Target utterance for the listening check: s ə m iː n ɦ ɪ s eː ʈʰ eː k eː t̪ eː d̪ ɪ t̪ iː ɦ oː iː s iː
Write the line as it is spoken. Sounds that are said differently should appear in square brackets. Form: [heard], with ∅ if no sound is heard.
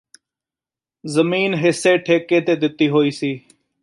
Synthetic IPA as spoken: [z] ə m iː n ɦ ɪ s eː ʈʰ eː k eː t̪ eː d̪ ɪ t̪ iː ɦ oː iː s iː

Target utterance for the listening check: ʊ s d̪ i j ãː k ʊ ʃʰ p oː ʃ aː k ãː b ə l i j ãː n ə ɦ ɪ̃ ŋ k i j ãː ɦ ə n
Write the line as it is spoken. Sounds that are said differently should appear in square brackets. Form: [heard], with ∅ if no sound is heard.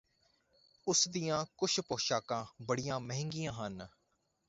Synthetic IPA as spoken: ʊ s d̪ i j ãː k ʊ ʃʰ p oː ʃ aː k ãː b ə [ɽ] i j ãː [m] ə ɦ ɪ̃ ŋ [ɡ] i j ãː ɦ ə n

